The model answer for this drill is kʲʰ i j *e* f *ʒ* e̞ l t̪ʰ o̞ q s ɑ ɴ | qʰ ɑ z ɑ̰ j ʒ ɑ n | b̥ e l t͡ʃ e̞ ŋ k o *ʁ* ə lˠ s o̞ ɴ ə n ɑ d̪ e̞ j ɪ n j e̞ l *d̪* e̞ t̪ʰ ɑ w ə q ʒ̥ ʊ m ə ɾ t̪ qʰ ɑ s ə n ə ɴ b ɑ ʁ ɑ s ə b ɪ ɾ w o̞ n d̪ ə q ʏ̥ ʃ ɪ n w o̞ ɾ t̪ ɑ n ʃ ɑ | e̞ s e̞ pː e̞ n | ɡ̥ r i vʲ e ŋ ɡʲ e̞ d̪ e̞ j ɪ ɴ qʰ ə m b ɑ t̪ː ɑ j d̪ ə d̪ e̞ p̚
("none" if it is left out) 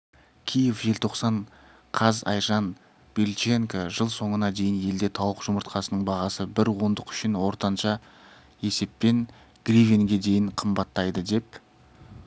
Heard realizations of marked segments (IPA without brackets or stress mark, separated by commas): e, ʒ, ʒ, d̪